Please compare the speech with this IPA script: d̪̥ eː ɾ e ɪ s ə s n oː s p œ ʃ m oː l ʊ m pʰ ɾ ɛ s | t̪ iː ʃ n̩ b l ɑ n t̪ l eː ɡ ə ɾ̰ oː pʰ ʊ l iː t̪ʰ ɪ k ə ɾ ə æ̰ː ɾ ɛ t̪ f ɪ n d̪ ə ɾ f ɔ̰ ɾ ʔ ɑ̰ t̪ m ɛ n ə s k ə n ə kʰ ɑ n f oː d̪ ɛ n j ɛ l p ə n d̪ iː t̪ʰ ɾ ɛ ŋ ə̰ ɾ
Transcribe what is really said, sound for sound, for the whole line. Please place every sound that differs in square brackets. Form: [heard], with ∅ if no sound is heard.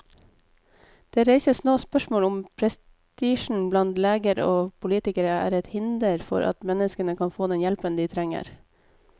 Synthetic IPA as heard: d̪̥ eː ɾ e ɪ s ə s n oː s p œ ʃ m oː l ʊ m pʰ ɾ ɛ s | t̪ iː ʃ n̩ b l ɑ n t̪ l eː ɡ ə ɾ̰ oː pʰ ʊ l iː [t̪] ɪ k ə ɾ ə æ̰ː ɾ ɛ t̪ [h] ɪ n d̪ ə ɾ f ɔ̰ ɾ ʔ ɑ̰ t̪ m ɛ n ə s k ə n ə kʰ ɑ n f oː d̪ ɛ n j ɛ l p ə n d̪ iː t̪ʰ ɾ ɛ ŋ ə̰ ɾ